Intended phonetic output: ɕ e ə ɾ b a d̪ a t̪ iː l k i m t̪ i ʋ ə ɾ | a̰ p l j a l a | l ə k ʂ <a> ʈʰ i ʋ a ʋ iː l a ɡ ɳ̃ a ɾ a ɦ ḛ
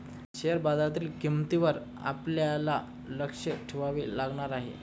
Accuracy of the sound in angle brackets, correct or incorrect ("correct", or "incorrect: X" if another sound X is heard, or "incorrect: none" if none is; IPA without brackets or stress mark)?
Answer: incorrect: ə